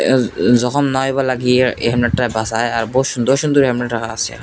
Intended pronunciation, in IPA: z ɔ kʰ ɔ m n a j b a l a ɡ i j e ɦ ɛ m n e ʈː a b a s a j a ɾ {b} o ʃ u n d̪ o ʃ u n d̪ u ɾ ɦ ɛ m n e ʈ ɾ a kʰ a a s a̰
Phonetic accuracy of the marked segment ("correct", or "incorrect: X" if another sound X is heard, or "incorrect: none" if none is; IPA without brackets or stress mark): correct